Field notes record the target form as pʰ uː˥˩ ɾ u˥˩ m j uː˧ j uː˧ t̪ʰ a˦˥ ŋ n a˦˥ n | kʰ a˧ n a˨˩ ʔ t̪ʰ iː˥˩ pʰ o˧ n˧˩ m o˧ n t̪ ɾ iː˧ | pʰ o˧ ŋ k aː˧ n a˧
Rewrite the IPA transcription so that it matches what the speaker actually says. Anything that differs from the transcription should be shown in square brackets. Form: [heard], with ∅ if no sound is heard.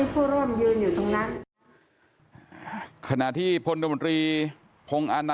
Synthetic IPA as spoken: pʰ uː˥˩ ɾ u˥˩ m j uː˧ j [uː˨˩] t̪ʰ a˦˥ ŋ n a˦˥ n | kʰ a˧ n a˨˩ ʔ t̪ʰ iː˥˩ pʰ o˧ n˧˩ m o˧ n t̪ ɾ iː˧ | pʰ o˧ ŋ [ʔ] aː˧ n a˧